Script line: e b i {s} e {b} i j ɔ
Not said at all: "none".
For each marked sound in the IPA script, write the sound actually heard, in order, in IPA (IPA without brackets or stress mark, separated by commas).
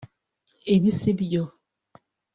s, b